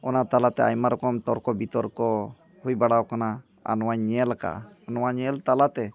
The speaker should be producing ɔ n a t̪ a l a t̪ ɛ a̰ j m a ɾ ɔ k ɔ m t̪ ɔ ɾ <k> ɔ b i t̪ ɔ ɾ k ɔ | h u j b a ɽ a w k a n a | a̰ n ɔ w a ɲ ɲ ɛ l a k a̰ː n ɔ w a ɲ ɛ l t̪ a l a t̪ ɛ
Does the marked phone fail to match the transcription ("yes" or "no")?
no